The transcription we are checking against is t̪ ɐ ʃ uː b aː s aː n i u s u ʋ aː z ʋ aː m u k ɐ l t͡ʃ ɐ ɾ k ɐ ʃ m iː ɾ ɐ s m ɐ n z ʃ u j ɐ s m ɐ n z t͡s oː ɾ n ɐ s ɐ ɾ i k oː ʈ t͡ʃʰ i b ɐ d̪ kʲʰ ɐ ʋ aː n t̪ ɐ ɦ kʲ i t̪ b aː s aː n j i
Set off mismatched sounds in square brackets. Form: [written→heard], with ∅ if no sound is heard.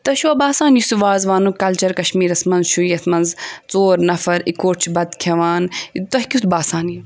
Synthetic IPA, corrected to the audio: t̪ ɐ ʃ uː b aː s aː n [i→j] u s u ʋ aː z ʋ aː [m→n] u k ɐ l t͡ʃ ɐ ɾ k ɐ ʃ m iː ɾ ɐ s m ɐ n z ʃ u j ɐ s m ɐ n z t͡s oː ɾ n ɐ [s→f] ɐ ɾ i k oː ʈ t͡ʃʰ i b ɐ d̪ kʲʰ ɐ ʋ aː n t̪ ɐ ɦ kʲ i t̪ b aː s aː n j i